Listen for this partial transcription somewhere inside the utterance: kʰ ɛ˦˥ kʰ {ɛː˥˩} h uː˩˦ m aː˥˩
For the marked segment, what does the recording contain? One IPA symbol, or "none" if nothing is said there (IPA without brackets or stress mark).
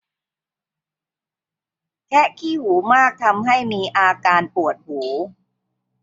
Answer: iː˥˩